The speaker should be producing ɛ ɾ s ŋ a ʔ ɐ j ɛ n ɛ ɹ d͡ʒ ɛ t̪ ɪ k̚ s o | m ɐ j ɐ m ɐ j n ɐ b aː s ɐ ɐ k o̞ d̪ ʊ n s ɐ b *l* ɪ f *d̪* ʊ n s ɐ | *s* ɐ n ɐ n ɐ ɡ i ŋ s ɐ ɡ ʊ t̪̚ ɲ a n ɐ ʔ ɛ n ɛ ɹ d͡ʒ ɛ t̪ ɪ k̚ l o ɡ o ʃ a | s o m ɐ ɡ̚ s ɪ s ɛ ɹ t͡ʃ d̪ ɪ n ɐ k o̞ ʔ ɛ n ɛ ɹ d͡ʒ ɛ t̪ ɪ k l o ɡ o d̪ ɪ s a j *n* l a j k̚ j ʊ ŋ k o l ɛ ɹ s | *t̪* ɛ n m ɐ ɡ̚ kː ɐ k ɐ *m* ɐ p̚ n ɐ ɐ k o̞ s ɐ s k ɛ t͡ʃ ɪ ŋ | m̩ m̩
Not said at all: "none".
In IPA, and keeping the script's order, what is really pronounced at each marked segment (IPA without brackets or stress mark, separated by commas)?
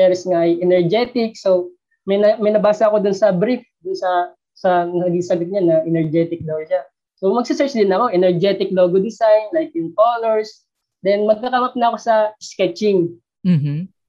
ɾ, d̪, s, n, d̪, m